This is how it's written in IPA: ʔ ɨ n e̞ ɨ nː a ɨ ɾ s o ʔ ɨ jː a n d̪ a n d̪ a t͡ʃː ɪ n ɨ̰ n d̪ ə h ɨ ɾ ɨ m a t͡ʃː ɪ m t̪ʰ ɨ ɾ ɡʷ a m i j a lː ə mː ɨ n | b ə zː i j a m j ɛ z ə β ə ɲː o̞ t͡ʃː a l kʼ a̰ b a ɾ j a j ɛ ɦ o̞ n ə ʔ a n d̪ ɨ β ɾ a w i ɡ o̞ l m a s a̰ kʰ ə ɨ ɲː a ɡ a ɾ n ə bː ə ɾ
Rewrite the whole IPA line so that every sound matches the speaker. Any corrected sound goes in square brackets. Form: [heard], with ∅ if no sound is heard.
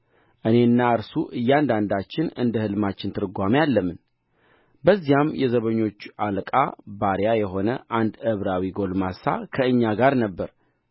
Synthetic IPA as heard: ʔ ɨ n e̞ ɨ nː a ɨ ɾ s [u] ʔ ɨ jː a n d̪ a n d̪ a t͡ʃː ɪ n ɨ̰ n d̪ ə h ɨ [l] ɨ m a t͡ʃː ɪ [n] t̪ʰ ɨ ɾ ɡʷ a m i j a lː ə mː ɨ n | b ə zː i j a m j ɛ z ə β ə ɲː o̞ t͡ʃː a l kʼ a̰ b a ɾ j a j ɛ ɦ o̞ n ə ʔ a n d̪ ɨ β ɾ a w i ɡ o̞ l m a s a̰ kʰ ə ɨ ɲː a ɡ a ɾ n ə bː ə ɾ